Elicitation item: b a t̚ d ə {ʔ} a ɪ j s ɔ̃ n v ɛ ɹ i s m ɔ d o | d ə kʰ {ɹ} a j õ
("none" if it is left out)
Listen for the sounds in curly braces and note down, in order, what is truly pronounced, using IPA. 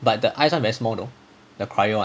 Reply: ʔ, ɹ

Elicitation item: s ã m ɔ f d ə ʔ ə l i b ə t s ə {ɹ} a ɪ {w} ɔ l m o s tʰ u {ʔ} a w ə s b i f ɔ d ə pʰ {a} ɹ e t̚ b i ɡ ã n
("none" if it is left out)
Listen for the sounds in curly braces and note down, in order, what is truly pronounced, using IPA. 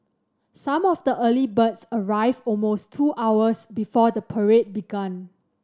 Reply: ɹ, v, ʔ, ə

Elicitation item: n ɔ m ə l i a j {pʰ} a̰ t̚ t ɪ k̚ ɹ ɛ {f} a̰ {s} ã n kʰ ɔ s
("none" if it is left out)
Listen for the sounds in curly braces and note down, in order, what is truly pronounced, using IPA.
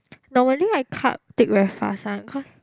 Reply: kʰ, f, s

